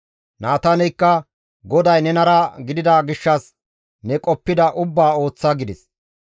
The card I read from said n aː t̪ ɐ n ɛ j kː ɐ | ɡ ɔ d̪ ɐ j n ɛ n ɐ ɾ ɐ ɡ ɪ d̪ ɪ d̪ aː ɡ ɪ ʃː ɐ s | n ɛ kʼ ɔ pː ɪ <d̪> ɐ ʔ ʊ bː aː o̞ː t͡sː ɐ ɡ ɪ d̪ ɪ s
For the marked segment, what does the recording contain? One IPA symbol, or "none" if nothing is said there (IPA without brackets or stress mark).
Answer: d̪